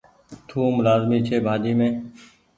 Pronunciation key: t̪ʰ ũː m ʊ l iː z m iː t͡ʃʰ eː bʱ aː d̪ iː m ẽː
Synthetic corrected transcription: t̪ʰ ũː m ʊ l aː z m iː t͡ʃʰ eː bʱ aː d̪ iː m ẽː